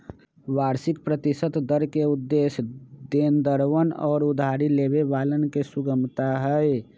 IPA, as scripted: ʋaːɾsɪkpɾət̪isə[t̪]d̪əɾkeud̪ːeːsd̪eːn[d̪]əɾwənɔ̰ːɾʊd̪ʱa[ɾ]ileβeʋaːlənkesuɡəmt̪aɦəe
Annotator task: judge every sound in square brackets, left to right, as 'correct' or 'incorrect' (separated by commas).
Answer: correct, correct, correct